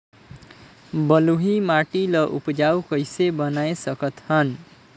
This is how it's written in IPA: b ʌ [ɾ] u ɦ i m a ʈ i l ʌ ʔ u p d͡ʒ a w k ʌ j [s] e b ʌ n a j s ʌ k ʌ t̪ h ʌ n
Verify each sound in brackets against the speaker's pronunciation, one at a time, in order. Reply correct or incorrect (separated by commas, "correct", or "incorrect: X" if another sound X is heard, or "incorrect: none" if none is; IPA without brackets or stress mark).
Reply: incorrect: l, correct